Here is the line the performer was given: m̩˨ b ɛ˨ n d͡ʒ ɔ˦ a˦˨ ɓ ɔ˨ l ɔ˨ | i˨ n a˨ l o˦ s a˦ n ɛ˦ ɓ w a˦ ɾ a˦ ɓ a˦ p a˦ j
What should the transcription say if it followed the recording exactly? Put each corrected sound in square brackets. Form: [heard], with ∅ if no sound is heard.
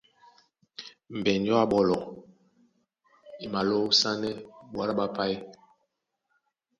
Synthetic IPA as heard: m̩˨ b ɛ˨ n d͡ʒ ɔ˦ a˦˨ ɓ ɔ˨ l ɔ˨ | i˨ [m] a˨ l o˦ s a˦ n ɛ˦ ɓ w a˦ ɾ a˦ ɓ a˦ p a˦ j

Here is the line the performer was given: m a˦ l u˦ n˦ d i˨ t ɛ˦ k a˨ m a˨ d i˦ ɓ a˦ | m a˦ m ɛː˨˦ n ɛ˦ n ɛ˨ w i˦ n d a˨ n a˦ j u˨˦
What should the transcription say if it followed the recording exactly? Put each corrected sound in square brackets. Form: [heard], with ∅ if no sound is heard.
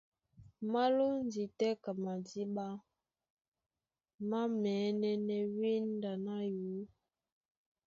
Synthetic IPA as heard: m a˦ l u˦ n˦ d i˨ t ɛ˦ k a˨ m a˨ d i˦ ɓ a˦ | m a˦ m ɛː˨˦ n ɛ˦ n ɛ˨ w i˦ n d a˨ n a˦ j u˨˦

